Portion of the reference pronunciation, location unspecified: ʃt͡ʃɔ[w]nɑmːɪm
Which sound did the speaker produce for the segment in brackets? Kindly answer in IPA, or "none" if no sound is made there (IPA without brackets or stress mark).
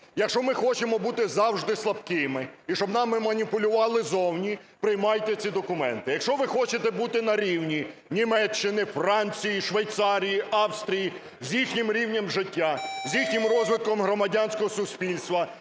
b